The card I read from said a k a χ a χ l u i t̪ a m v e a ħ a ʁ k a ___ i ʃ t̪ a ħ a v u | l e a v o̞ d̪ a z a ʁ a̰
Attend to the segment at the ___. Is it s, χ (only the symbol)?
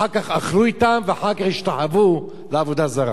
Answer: χ